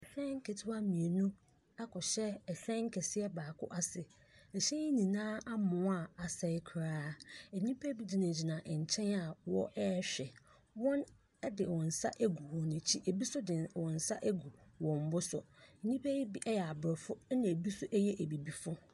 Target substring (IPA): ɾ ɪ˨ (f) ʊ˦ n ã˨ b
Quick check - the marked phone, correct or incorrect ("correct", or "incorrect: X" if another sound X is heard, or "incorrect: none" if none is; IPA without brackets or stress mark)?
correct